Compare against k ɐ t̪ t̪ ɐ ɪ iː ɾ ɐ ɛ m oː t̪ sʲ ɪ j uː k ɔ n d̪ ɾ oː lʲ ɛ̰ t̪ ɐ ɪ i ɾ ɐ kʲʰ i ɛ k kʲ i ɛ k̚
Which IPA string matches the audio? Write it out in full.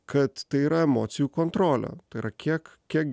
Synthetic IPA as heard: k ɐ t̪ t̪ ɐ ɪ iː ɾ ɐ ɛ m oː t̪ sʲ ɪ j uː k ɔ n t̪ ɾ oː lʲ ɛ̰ t̪ ɐ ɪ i ɾ ɐ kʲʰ i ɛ k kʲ i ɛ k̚